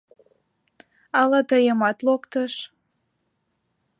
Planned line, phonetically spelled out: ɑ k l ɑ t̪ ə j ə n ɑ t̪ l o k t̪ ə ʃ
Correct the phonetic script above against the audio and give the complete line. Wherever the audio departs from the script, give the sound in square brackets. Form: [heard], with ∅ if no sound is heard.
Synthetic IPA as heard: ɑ [∅] l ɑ t̪ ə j ə [m] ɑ t̪ l o k t̪ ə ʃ